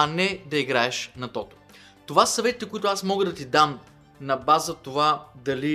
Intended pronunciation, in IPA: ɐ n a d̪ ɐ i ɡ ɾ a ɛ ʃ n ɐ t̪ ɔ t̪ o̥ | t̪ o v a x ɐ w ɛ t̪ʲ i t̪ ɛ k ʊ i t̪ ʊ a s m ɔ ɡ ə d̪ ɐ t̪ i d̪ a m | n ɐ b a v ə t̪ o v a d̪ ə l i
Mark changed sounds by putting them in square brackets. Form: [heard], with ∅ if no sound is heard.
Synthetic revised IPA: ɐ n [ɛ] d̪ ɐ i ɡ ɾ a ɛ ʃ n ɐ t̪ ɔ t̪ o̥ | t̪ o v a [s] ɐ [v] ɛ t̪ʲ i t̪ ɛ k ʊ i t̪ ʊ a s m ɔ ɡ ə d̪ ɐ t̪ i d̪ a m | n ɐ b a [z] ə t̪ o v a d̪ [ɐ] l i